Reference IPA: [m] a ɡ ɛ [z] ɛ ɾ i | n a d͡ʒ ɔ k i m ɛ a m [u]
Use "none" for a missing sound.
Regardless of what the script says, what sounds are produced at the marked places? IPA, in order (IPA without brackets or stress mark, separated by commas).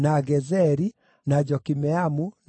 n, z, u